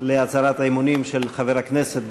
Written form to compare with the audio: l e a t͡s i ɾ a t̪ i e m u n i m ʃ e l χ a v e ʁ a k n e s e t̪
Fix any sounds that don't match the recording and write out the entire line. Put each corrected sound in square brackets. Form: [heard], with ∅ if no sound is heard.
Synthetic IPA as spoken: l e a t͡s [a] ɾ a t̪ [a] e m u n i m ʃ e l χ a v e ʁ a k n e s e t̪